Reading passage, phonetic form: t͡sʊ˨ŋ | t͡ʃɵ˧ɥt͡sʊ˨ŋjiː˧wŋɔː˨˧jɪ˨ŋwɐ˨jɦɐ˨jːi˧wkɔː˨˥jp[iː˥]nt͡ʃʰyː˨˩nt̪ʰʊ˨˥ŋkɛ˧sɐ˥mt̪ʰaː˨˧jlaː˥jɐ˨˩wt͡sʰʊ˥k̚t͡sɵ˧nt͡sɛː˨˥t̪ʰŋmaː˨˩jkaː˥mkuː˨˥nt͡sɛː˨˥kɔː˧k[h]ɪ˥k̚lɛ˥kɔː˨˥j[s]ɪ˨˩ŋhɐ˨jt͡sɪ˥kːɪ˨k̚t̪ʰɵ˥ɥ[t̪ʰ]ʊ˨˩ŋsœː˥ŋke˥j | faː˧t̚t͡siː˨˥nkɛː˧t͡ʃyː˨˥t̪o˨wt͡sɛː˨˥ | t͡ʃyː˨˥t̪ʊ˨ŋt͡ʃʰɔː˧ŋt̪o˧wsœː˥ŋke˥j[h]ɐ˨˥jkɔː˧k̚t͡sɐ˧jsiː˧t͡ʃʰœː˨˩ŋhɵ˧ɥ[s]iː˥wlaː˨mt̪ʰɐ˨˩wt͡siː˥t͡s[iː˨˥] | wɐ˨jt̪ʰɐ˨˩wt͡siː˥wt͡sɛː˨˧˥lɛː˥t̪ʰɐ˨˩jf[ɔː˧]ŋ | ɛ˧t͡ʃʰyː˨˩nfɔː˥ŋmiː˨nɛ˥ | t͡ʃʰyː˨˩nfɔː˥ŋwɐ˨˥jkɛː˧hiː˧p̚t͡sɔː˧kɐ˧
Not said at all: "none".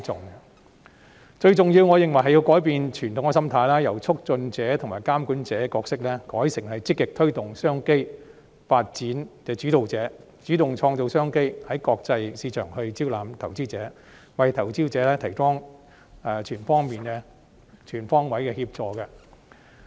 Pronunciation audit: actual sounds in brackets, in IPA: iː˨, s, s, t̪, h, t͡s, ɛː˨˥, ɔː˥

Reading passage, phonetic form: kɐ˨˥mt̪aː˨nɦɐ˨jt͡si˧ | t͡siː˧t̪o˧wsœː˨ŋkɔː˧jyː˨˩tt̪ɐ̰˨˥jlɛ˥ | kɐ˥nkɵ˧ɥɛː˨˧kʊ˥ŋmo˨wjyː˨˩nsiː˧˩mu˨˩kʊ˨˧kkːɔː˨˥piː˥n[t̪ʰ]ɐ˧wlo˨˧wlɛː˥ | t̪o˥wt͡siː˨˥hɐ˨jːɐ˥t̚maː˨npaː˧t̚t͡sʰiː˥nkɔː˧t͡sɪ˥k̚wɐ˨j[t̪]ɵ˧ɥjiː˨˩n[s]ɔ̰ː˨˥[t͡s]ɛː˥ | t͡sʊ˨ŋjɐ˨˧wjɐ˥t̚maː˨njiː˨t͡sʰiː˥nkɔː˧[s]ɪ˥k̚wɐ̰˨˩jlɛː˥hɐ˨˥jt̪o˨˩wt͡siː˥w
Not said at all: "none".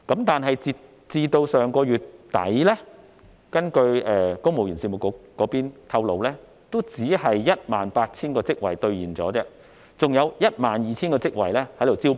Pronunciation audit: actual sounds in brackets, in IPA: t̪ʰ, t̪, t͡s, t͡s, t͡s

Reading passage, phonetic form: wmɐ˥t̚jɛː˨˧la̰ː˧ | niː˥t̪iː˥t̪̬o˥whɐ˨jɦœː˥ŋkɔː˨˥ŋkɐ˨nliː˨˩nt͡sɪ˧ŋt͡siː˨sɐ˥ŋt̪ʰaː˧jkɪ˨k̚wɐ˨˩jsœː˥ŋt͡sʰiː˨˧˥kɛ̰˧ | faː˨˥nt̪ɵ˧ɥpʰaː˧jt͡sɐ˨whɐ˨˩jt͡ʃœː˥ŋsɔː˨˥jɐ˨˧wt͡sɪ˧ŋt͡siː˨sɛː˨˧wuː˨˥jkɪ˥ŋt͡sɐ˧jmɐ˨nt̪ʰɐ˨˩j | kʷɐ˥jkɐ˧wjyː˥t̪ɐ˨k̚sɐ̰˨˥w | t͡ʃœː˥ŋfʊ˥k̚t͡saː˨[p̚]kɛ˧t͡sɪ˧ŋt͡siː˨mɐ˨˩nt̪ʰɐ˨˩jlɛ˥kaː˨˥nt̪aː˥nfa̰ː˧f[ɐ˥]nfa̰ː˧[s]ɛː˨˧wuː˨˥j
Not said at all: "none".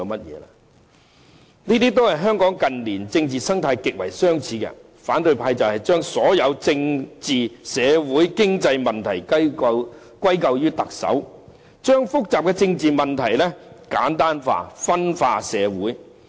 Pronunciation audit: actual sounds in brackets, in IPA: p̚, ɐ˥, s

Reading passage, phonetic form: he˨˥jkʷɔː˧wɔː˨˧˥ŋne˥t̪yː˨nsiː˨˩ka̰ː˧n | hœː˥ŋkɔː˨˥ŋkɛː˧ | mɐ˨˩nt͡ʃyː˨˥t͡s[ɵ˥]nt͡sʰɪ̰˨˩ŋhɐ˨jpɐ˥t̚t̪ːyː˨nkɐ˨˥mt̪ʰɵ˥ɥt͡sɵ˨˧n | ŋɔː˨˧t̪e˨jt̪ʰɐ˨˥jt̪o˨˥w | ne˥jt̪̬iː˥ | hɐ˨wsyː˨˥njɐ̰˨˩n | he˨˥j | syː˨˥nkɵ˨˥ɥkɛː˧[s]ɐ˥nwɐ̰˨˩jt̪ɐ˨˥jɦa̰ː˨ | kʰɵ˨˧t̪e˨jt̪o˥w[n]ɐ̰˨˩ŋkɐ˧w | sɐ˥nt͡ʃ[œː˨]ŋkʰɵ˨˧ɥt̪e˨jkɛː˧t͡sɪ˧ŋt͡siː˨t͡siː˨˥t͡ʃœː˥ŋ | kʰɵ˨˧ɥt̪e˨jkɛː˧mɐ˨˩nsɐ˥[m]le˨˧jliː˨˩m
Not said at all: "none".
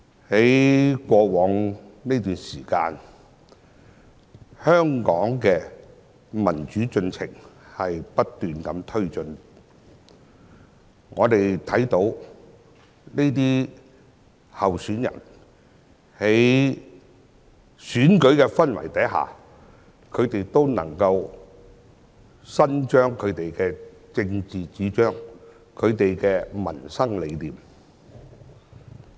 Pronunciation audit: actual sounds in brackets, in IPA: ɵ˧, f, n, œː˥, ŋ

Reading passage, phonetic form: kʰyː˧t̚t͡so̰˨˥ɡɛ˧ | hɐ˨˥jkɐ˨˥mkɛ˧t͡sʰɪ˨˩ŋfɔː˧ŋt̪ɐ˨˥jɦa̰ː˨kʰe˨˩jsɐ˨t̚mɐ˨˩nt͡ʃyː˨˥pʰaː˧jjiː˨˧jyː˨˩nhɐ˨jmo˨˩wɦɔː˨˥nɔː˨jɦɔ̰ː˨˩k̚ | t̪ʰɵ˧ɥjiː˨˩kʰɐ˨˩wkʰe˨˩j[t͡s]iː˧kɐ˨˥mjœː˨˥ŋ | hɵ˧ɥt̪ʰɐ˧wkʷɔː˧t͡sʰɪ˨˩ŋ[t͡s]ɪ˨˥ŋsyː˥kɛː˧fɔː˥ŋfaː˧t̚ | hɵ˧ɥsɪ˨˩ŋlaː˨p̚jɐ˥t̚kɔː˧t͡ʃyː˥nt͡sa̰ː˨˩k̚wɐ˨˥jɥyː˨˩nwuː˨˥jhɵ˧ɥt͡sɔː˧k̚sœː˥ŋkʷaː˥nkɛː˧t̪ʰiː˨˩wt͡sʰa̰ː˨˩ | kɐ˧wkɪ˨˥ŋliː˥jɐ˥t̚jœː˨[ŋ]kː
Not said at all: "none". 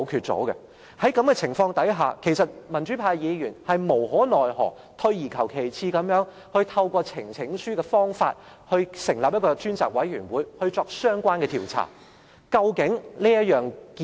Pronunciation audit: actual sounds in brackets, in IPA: t͡sʰ, t͡sʰ, ŋ

